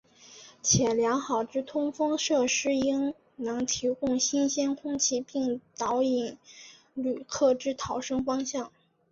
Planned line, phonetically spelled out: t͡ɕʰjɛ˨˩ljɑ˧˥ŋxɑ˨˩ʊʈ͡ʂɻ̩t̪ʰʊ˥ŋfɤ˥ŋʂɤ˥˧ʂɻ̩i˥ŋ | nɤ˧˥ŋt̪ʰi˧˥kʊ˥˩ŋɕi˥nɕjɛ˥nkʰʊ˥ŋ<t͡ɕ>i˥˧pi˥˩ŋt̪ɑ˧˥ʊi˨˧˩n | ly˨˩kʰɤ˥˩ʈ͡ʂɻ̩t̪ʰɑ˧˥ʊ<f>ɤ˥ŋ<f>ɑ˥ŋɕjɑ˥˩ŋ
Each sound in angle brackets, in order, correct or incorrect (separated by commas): incorrect, incorrect, correct